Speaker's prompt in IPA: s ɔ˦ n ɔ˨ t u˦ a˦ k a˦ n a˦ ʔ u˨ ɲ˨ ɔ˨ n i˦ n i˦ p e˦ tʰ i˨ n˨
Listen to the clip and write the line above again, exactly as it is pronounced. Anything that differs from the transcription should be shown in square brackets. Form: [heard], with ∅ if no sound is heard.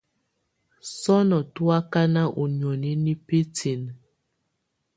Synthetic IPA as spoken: s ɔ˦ n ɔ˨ t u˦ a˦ k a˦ n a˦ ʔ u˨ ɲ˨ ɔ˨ n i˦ n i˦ p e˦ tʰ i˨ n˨